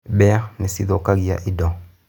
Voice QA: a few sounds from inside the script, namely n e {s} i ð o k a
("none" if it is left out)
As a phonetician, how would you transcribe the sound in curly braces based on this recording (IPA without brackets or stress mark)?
s